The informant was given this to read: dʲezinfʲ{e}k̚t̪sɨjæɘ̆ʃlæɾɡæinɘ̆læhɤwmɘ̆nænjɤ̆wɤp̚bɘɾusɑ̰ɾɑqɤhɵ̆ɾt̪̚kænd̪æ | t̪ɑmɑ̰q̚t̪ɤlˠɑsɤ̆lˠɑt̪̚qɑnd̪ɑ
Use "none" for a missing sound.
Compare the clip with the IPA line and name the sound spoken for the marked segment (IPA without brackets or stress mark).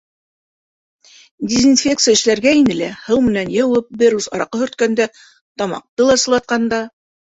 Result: e